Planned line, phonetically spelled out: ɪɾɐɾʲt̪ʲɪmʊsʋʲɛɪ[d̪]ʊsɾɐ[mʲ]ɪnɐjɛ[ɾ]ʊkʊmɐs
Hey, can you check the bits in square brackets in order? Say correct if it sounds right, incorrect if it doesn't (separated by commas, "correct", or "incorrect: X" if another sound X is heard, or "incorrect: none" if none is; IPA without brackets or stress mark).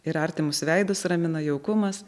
correct, correct, incorrect: none